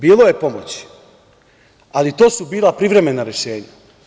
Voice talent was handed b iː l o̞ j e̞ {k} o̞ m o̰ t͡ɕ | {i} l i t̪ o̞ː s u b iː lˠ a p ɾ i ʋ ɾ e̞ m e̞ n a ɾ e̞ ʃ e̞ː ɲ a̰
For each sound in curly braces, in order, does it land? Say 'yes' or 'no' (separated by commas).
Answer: no, no